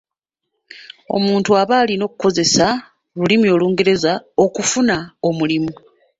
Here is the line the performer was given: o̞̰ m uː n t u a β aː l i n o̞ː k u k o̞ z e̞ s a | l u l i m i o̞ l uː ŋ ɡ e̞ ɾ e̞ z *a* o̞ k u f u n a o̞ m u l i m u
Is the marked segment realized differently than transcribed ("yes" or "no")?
no